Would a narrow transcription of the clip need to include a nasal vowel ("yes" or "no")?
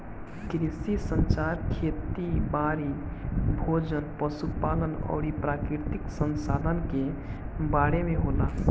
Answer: no